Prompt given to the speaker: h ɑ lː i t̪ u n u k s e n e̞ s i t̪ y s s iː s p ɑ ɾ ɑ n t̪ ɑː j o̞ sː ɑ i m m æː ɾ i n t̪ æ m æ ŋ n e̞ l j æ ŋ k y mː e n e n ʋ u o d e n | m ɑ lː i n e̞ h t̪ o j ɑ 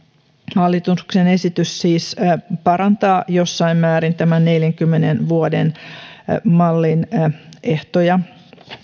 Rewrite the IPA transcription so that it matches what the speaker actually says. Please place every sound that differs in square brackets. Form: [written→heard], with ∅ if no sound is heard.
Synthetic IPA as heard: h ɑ lː i t̪ u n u k s e n e̞ s i t̪ y s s iː s p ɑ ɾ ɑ n t̪ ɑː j o̞ sː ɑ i m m æː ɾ i n t̪ æ m æ [ŋ→n] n e̞ l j æ ŋ k y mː e n e n ʋ u o d e n | m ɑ lː i n e̞ h t̪ o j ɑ